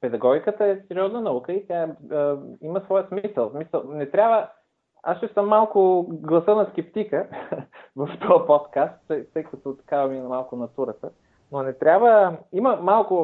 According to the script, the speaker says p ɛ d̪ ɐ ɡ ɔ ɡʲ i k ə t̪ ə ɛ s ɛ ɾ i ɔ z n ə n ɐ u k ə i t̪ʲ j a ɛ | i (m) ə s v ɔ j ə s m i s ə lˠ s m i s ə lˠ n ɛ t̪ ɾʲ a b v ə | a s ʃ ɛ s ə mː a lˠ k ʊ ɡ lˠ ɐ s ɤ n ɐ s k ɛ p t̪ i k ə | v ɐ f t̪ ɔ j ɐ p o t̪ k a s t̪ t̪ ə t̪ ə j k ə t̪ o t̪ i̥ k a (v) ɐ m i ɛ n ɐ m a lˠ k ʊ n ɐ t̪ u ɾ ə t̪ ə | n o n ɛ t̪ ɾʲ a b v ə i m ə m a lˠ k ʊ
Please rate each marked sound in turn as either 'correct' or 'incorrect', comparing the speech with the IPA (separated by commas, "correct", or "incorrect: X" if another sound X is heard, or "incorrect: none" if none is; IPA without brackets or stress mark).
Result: correct, correct